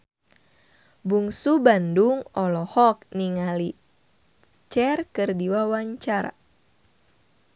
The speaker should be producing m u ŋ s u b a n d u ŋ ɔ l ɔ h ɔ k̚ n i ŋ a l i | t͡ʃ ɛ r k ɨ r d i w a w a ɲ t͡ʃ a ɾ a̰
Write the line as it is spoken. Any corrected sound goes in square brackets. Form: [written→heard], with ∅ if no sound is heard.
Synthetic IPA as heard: [m→b] u ŋ s u b a n d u ŋ ɔ l ɔ h ɔ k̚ n i ŋ a l i | t͡ʃ ɛ r k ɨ r d i w a w a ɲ t͡ʃ a ɾ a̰

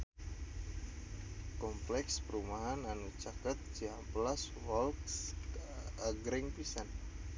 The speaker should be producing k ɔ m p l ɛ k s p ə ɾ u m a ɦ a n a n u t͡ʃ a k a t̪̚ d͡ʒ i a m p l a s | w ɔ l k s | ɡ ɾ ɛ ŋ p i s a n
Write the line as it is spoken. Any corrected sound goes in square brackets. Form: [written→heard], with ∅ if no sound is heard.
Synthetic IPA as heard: k ɔ m p l ɛ k s p ə ɾ u m a ɦ a n a n u t͡ʃ a k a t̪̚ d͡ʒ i a m p l a s | w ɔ l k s | ɡ ɾ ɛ ŋ p i s a n

